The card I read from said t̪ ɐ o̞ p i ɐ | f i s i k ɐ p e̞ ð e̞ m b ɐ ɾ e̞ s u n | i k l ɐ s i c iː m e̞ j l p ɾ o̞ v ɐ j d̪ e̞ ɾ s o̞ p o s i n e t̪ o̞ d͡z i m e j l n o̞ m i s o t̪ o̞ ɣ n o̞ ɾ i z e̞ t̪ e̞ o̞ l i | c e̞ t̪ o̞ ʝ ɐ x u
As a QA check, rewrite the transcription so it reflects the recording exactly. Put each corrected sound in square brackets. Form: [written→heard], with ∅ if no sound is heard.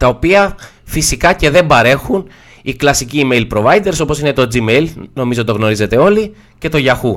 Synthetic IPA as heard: t̪ ɐ o̞ p i ɐ | f i s i k ɐ [p→c] e̞ ð e̞ m b ɐ ɾ e̞ [s→x] u n | i k l ɐ s i c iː m e̞ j l p ɾ o̞ v ɐ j d̪ e̞ ɾ s o̞ p o s i n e t̪ o̞ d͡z i m e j l n o̞ m i [s→z] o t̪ o̞ ɣ n o̞ ɾ i z e̞ t̪ e̞ o̞ l i | c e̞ t̪ o̞ ʝ ɐ x u